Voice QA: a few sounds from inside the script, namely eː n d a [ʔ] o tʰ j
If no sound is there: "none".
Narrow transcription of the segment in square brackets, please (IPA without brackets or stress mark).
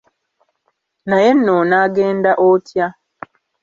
ʔ